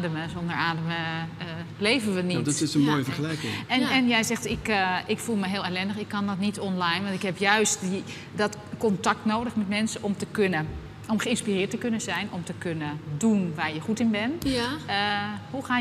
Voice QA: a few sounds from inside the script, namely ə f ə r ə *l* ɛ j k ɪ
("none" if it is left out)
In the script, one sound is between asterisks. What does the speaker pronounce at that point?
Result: l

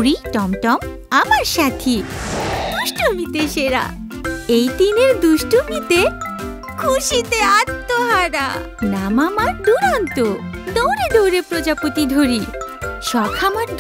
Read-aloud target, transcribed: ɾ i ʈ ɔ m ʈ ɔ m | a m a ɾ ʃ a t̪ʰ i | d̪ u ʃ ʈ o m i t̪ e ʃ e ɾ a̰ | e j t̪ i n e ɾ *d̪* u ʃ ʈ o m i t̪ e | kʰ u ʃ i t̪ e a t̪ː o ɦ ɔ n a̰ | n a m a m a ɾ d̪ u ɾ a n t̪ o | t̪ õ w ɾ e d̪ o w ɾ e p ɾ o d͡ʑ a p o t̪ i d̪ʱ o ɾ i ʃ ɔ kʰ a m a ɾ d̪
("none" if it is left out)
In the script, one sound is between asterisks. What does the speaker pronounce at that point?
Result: d̪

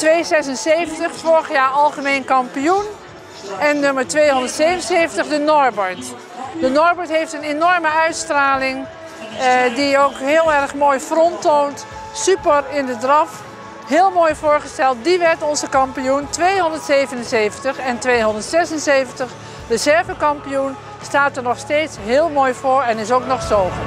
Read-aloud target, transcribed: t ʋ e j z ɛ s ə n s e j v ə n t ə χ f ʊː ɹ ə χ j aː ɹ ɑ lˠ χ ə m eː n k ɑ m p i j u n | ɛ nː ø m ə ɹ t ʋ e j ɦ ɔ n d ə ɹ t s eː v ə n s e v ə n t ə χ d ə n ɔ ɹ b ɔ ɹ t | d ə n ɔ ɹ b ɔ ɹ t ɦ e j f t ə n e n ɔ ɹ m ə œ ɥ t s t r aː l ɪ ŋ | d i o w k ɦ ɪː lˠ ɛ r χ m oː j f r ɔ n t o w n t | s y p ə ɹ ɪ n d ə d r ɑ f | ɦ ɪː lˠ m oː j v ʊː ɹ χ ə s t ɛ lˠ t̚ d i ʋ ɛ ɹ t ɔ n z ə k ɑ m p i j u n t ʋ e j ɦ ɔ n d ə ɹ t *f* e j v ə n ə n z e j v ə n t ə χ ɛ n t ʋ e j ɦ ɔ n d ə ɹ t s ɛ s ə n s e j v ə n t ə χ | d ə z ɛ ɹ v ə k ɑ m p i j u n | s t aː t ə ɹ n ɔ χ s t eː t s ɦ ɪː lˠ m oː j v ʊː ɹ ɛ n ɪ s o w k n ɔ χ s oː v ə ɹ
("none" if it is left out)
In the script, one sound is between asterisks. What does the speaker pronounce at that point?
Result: s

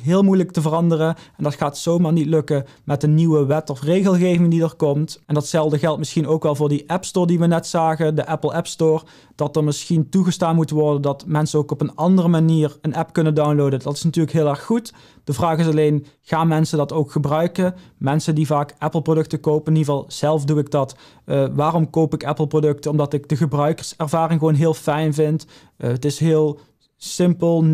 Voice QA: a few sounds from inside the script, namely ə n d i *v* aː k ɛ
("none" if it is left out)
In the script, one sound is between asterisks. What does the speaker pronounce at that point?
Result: v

